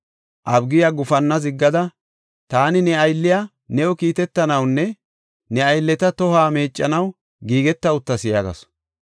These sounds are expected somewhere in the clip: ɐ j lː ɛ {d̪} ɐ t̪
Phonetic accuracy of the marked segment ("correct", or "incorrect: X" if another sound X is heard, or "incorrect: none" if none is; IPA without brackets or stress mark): incorrect: t̪